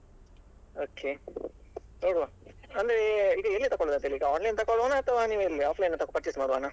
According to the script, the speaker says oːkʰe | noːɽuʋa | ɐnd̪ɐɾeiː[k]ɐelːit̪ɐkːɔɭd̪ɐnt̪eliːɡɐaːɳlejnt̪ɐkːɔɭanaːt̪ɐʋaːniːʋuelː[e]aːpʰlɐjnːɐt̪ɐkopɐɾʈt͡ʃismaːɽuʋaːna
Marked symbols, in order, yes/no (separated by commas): no, no